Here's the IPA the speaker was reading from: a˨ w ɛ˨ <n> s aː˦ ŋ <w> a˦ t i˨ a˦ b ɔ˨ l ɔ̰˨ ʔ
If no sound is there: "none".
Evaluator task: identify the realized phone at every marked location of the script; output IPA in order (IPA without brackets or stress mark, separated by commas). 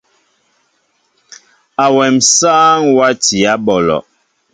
m, w